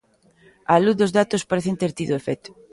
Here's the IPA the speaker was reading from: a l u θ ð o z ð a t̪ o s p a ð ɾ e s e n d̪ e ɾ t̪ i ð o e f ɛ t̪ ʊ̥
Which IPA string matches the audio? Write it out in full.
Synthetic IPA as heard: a l u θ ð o z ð a t̪ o s p a ɾ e θ e n t̪ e ɾ t̪ i ð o e f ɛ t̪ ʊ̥